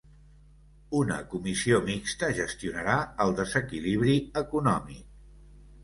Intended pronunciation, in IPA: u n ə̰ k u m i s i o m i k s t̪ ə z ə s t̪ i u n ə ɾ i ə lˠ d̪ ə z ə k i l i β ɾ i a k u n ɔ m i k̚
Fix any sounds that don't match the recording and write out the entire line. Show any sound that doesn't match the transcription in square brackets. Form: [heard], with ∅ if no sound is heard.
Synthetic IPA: u n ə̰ k u m i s i o m i k s t̪ ə [ʒ] ə s t̪ i u n ə ɾ [a] ə lˠ d̪ ə z ə k i l i β ɾ i [ə] k u n ɔ m i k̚